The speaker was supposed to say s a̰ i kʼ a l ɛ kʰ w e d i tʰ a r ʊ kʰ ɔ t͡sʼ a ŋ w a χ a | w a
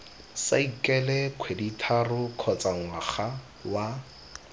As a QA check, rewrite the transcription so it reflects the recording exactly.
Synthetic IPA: s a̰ i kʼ ɛ l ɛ kʰ w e d i tʰ a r ʊ kʰ ɔ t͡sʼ a ŋ w a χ a | w a